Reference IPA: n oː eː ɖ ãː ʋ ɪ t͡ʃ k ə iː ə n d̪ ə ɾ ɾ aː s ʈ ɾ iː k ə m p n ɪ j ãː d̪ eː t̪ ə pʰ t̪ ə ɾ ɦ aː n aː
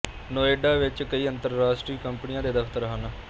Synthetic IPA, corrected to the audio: n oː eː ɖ aː ʋ ɪ t͡ʃ k ə iː ə n t̪ ə ɾ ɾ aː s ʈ ɾ iː k ə m p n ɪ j ãː d̪ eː d̪ ə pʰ t̪ ə ɾ ɦ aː n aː